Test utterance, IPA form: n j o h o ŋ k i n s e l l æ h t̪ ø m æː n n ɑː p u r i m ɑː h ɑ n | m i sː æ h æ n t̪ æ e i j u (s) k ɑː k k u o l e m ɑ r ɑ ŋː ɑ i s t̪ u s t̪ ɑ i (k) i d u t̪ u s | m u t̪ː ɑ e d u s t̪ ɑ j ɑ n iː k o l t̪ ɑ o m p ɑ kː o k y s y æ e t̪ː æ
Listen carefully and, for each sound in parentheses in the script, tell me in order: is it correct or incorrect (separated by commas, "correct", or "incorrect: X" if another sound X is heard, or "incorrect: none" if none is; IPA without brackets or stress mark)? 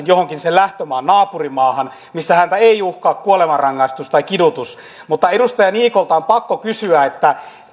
incorrect: h, correct